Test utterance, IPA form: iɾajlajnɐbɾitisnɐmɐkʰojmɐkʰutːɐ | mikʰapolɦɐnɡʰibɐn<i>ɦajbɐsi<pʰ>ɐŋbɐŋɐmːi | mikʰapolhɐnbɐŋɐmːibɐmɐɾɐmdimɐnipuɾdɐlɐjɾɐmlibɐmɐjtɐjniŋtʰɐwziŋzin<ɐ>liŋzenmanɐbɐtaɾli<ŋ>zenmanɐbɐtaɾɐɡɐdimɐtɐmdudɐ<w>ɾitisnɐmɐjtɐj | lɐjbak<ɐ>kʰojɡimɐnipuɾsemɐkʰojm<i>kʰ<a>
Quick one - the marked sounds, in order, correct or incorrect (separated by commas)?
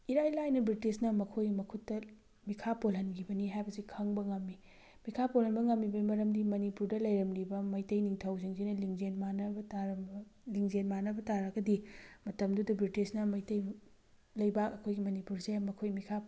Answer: correct, incorrect, correct, correct, incorrect, correct, correct, correct